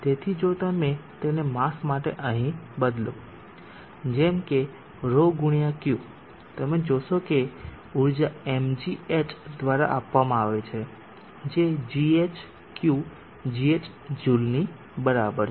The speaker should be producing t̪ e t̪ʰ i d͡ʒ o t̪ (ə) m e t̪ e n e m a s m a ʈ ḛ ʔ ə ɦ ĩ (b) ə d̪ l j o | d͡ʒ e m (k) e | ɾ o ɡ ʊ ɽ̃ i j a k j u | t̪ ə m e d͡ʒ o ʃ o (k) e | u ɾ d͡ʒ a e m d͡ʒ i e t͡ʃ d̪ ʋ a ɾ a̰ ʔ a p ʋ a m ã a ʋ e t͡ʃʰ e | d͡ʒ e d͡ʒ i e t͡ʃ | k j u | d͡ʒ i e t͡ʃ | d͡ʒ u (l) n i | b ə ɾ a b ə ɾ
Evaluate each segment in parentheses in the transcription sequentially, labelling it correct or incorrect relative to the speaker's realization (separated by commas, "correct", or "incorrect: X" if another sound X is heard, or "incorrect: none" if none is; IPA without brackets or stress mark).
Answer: incorrect: a, correct, correct, correct, correct